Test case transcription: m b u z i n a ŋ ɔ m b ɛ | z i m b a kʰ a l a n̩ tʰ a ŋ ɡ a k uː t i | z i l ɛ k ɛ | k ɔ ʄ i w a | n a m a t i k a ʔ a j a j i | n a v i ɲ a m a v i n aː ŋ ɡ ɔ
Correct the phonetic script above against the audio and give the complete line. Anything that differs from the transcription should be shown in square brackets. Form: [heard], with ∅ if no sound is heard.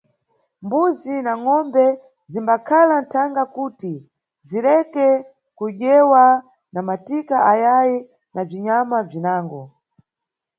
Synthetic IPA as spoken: m b u z i n a ŋ ɔ m b ɛ | z i m b a kʰ a l a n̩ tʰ a ŋ ɡ a k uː t i | z i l ɛ k ɛ | k [u] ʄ [ɛ] w a | n a m a t i k a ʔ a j a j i | n a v i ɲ a m a v i n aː ŋ ɡ ɔ